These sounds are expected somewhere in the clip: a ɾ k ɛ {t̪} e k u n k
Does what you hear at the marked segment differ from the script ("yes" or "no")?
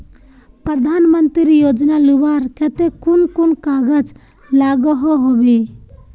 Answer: no